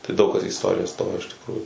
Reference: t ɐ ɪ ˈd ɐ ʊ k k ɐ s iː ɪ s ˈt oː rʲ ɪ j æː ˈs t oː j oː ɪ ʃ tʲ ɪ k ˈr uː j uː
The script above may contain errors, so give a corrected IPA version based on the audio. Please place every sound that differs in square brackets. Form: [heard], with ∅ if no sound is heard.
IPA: t ɐ ɪ ˈd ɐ ʊ k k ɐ s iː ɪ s ˈt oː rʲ ɪ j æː ˈs t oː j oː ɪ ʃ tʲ ɪ k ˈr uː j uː